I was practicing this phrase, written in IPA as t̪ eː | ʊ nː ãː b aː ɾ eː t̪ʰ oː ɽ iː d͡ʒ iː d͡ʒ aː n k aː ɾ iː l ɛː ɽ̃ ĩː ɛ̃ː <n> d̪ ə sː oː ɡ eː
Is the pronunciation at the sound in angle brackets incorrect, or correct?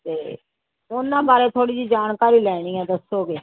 incorrect